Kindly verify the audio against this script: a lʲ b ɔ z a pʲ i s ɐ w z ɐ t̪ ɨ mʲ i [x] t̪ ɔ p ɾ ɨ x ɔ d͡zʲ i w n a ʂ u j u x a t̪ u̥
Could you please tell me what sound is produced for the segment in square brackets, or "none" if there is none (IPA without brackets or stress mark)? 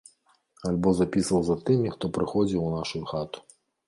x